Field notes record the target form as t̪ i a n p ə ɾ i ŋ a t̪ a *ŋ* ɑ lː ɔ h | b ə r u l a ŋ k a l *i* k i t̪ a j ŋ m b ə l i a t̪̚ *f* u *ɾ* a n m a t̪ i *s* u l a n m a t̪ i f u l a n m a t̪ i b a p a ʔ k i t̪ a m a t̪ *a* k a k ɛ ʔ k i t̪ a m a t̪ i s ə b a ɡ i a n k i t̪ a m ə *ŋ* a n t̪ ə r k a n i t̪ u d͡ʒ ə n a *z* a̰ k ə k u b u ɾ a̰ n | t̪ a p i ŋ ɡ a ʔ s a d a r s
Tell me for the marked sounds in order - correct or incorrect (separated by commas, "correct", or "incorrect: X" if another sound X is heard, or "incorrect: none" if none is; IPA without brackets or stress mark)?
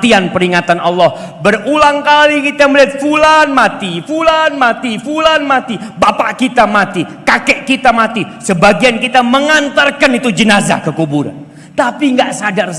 incorrect: n, correct, correct, incorrect: l, incorrect: f, incorrect: i, correct, correct